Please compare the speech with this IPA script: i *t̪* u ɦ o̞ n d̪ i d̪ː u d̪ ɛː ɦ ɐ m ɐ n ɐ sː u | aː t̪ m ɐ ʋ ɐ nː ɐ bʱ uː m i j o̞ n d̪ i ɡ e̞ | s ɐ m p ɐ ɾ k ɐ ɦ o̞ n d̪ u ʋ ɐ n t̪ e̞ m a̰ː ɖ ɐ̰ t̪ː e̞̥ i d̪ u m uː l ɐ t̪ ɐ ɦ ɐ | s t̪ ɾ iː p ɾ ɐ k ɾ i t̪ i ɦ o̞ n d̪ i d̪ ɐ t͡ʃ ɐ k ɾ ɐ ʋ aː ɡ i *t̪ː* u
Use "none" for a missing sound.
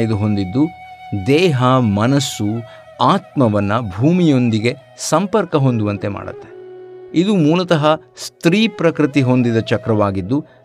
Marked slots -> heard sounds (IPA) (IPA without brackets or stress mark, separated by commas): d̪, d̪ː